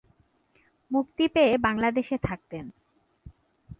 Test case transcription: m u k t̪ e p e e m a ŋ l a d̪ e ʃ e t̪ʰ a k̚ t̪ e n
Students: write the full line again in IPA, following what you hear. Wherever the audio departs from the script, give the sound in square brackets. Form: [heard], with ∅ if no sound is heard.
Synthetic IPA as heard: m u k t̪ [i] p e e [b] a ŋ l a d̪ e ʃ e t̪ʰ a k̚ t̪ e n